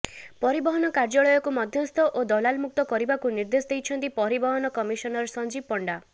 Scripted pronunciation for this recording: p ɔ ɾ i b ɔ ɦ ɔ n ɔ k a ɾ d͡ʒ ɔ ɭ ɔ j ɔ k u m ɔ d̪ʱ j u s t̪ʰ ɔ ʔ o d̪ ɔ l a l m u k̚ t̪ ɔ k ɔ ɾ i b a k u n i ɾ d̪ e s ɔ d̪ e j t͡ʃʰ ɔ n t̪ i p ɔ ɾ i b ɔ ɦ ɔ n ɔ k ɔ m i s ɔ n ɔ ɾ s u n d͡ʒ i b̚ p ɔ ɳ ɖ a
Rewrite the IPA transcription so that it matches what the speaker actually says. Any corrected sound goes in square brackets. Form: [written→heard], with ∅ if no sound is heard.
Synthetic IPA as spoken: p ɔ ɾ i b ɔ ɦ ɔ n ɔ k a ɾ d͡ʒ ɔ ɭ ɔ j ɔ k u m ɔ d̪ʱ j [u→ɔ] s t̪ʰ ɔ ʔ o d̪ ɔ l a l m u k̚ t̪ ɔ k ɔ ɾ i b a k u n i ɾ d̪ e s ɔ d̪ e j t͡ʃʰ ɔ n t̪ i p ɔ ɾ i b ɔ ɦ ɔ n ɔ k ɔ m i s ɔ n ɔ ɾ s [u→ɔ] n d͡ʒ i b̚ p ɔ ɳ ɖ a